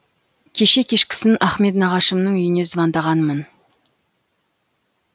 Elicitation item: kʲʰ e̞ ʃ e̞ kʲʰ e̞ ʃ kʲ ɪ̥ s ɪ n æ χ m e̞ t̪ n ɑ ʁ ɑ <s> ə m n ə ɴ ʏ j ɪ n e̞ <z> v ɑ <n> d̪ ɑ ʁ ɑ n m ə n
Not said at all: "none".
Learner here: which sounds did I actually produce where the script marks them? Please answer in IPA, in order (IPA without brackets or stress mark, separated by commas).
ʃ, z, n